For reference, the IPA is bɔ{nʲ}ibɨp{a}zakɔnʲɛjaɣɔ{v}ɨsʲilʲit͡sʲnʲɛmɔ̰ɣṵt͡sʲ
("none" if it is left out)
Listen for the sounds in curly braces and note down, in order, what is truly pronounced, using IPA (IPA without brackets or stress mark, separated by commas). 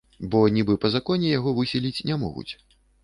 nʲ, ɐ, v